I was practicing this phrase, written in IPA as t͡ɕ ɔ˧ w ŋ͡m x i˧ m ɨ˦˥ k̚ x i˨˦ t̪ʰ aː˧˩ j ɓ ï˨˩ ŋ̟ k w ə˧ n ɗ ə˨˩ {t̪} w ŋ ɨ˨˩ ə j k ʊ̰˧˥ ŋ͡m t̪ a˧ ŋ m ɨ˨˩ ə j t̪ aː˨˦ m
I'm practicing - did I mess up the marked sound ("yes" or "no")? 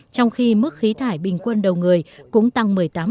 yes